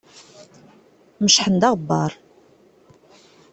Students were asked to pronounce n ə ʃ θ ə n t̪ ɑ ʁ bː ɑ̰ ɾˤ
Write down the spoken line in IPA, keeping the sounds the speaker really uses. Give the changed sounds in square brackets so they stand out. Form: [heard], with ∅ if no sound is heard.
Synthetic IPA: [m] ə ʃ [ħ] ə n [d̪] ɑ ʁ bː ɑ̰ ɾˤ